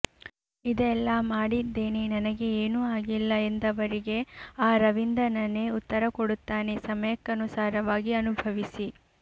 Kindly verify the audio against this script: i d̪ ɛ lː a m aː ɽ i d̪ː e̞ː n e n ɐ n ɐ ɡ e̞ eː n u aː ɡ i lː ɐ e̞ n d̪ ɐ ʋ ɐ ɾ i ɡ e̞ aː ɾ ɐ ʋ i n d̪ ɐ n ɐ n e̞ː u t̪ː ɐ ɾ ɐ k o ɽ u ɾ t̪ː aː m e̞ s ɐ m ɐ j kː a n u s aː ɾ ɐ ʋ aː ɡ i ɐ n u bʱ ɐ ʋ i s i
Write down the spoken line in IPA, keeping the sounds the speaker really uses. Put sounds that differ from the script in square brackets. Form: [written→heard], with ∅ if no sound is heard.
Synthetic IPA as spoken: i d̪ ɛ lː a m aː ɽ i d̪ː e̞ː n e n ɐ n ɐ ɡ e̞ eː n u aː ɡ i lː ɐ e̞ n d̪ ɐ ʋ ɐ ɾ i ɡ e̞ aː ɾ ɐ ʋ i n d̪ ɐ n ɐ n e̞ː u t̪ː ɐ ɾ ɐ k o ɽ u [ɾ→∅] t̪ː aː [m→n] e̞ s ɐ m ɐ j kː [a→ɐ] n u s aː ɾ ɐ ʋ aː ɡ i ɐ n u bʱ ɐ ʋ i s i